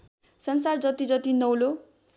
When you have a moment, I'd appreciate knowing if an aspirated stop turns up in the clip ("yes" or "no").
no